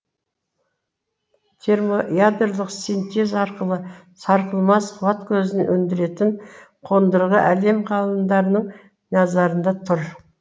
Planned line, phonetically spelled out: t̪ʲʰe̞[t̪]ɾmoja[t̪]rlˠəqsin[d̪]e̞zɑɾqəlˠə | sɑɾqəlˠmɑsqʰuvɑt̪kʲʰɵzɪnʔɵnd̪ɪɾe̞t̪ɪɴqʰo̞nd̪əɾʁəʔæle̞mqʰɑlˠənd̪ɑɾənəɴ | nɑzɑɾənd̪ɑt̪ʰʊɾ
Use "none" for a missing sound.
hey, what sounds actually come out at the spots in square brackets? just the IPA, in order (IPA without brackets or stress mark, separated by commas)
none, d̪, t̪